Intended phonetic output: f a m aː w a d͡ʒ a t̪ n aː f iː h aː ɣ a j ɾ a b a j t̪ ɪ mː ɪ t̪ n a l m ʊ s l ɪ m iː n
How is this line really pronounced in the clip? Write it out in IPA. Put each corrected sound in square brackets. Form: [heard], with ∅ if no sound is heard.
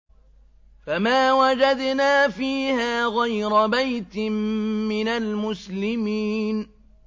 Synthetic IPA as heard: f a m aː w a d͡ʒ a [d̪] n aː f iː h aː ɣ a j ɾ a b a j t̪ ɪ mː ɪ [∅] n a l m ʊ s l ɪ m iː n